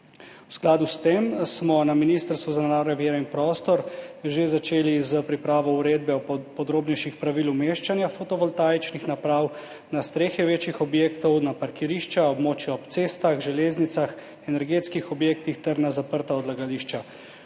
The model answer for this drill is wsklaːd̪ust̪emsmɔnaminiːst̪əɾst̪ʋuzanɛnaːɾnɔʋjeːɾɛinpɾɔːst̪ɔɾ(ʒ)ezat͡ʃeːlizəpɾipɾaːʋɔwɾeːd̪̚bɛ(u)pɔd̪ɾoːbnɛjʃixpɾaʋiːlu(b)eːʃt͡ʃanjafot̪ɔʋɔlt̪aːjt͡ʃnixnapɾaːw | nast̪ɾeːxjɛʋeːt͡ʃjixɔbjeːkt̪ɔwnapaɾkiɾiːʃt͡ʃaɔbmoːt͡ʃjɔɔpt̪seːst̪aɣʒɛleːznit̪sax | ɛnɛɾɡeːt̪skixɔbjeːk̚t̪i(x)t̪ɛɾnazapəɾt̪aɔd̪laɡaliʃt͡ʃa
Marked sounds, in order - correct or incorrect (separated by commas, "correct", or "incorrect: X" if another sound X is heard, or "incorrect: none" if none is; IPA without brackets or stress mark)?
correct, incorrect: ɔ, incorrect: m, correct